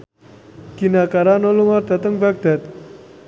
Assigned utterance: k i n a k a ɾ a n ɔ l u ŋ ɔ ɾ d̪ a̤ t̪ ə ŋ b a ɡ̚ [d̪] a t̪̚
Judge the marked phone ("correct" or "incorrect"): correct